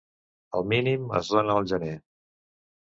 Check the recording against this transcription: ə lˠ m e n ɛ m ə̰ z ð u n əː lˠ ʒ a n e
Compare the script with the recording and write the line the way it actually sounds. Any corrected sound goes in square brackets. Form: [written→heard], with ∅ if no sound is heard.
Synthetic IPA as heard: ə lˠ m [e→i] n [ɛ→i] m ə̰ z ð [u→o] n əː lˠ ʒ [a→ə] n e

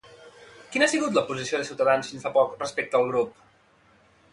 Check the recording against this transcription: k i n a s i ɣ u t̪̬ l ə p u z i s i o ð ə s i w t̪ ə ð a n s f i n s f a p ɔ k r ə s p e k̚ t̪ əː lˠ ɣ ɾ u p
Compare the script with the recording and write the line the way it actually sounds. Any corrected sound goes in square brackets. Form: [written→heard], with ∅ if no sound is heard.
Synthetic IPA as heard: k i n a s i ɣ u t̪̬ l ə p u z i s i o ð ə s i w t̪ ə ð a n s f i n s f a p ɔ k r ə s p e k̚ t̪ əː lˠ ɣ ɾ u p

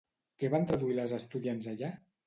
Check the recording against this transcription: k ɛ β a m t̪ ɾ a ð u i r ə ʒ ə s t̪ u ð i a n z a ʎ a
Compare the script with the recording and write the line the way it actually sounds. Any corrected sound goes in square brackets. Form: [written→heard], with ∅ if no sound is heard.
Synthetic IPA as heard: k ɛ β a [m→n] t̪ ɾ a ð u i [r→l] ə [ʒ→z] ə s t̪ u ð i a n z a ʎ a

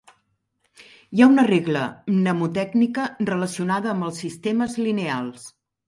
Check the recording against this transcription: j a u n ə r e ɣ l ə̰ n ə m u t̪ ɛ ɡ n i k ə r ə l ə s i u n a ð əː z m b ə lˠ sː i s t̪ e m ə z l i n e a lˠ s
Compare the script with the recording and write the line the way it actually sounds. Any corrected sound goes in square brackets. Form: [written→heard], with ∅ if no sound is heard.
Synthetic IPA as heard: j a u n ə r e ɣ l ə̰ n ə m u t̪ ɛ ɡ n i k ə r ə l ə s i u n a ð əː [z→∅] m b ə lˠ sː i s t̪ e m ə z l i n e a lˠ s

